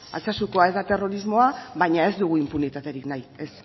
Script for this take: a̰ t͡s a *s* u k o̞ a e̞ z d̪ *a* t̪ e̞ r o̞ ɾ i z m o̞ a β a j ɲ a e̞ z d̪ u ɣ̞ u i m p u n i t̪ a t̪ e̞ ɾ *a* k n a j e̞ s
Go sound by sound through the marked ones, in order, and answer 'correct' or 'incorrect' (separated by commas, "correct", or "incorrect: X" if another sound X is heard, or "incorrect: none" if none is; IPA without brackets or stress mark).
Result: correct, correct, incorrect: i